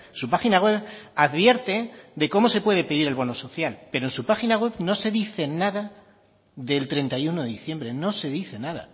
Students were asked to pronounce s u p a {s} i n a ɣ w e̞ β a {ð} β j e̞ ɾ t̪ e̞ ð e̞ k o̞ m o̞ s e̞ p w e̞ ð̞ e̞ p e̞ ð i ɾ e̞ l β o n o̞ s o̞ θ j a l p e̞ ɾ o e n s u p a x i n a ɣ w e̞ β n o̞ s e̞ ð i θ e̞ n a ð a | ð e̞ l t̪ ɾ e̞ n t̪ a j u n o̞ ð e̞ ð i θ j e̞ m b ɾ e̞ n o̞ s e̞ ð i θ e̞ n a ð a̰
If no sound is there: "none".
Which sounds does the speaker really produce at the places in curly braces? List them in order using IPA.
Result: x, ð

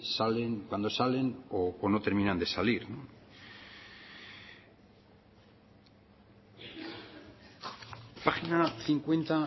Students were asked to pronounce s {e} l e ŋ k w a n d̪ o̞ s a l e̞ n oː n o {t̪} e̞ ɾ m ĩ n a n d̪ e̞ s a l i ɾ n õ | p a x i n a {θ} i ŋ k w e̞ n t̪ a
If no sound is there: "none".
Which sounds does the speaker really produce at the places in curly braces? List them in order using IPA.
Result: a, t̪, θ

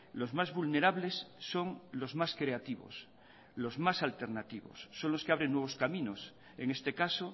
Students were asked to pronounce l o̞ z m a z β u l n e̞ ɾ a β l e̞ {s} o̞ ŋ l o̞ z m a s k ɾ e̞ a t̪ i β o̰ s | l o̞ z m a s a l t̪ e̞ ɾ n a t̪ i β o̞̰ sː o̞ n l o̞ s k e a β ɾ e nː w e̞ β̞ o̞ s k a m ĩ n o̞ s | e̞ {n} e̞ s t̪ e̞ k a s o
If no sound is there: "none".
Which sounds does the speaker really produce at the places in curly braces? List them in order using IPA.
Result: sː, ŋ

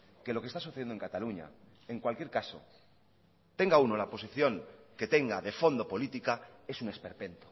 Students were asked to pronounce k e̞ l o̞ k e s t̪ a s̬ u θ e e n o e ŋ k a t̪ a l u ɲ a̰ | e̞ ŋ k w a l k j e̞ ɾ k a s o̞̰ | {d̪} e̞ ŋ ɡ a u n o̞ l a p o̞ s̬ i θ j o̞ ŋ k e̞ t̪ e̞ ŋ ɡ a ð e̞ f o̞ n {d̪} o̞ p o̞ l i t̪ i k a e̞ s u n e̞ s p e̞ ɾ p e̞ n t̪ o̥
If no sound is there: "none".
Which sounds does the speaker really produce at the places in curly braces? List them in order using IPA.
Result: t̪, d̪

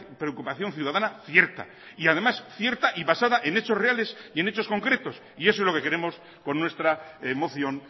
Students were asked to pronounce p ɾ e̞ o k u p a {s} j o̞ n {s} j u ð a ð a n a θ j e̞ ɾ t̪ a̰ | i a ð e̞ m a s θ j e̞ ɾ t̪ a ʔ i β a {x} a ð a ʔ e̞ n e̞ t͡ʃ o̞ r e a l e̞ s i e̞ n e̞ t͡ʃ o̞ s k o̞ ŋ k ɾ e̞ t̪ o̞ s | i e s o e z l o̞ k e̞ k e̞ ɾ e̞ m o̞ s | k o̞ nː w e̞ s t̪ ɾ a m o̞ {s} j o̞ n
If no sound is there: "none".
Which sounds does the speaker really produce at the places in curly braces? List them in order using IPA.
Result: θ, θ, s, θ

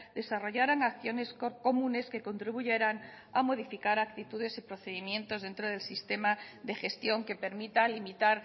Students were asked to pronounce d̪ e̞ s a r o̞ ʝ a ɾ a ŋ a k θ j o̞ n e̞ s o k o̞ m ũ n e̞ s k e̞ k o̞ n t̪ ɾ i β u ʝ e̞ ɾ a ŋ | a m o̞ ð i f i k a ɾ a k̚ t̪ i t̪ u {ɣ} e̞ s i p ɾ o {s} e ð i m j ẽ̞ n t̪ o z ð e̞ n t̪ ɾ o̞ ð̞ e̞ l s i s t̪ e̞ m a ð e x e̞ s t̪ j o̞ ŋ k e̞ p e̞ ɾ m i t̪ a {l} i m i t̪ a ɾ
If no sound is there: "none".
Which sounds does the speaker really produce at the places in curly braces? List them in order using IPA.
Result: ð, θ, l

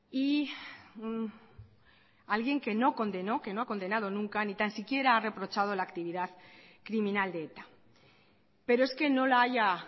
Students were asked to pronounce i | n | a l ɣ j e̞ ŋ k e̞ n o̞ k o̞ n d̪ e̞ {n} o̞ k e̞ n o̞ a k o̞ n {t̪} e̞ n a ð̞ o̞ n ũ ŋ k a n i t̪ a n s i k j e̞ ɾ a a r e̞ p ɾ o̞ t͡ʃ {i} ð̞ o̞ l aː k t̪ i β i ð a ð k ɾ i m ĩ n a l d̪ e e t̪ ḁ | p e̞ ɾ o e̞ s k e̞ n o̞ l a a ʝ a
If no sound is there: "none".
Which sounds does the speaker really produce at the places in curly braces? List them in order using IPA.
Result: n, d̪, a

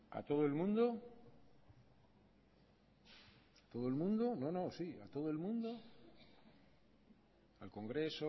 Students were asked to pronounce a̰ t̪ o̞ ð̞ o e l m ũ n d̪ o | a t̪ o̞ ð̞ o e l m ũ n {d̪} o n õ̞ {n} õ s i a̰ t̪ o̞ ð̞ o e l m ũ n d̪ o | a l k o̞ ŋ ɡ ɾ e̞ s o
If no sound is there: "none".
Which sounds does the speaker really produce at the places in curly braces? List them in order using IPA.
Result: d̪, n

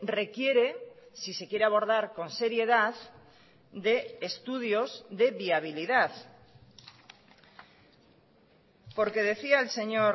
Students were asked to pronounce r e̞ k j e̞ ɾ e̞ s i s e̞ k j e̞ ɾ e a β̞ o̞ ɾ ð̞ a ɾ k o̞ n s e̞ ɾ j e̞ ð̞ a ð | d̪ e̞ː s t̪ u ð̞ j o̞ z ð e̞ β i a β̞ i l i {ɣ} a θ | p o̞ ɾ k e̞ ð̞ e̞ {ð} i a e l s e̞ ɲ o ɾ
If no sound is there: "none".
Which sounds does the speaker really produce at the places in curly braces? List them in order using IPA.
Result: ð, θ

